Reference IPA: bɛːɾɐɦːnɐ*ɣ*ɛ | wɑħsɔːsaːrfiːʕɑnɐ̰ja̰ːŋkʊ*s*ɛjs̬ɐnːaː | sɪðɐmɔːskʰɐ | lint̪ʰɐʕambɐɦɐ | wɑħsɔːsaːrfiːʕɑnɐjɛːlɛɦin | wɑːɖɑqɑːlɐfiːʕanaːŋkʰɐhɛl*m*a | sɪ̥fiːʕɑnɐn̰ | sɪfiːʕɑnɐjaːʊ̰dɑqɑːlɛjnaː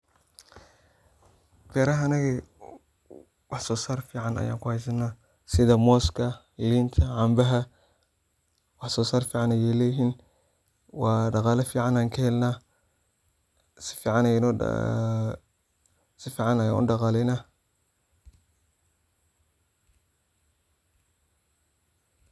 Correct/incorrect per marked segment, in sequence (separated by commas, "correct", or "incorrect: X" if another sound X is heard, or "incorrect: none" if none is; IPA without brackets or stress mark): correct, incorrect: h, incorrect: n